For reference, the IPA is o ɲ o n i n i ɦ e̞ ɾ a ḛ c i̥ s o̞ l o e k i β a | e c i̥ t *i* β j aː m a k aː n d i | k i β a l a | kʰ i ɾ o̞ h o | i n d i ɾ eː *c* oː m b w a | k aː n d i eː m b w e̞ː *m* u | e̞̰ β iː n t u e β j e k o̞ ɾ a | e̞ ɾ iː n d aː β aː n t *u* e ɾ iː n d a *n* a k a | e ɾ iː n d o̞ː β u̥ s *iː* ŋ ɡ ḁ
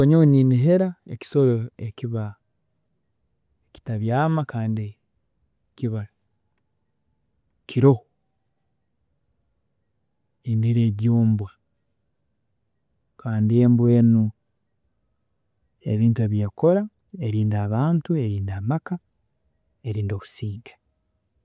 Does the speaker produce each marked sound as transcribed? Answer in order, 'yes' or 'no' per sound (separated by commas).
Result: no, no, no, yes, no, yes